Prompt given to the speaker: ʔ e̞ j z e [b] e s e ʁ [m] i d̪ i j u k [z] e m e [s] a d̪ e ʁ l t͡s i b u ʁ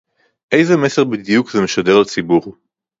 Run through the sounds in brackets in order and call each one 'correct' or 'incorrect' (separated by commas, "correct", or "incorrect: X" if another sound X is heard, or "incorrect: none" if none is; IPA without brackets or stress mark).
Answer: incorrect: m, incorrect: b, correct, incorrect: ʃ